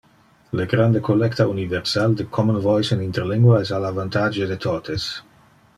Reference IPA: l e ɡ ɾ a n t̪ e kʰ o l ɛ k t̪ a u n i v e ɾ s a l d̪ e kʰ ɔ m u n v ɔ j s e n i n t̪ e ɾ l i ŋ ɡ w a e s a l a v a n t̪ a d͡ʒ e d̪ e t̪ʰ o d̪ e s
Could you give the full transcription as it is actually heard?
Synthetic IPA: l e ɡ ɾ a n d̪ e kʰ o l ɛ k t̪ a u n i v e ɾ s a l d̪ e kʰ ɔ m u n v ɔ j s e n i n t̪ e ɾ l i ŋ ɡ w a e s a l a v a n t̪ a d͡ʒ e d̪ e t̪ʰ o t̪ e s